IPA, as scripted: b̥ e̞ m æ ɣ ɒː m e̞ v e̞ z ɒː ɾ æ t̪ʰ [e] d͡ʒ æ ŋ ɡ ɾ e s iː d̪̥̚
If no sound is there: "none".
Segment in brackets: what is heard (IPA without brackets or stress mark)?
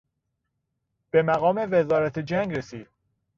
e